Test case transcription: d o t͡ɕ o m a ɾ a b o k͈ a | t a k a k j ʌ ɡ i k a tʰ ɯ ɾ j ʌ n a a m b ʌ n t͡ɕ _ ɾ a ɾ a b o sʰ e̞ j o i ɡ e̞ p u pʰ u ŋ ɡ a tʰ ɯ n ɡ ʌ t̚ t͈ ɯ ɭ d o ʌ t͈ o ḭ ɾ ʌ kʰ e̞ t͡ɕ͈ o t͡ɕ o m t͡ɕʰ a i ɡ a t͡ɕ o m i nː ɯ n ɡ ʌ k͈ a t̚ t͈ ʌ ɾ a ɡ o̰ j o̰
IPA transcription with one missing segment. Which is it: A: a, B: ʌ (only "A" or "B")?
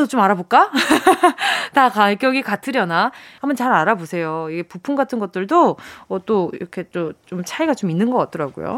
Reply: A